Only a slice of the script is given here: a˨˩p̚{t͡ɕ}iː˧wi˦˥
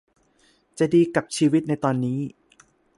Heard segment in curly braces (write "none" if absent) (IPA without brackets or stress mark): t͡ɕʰ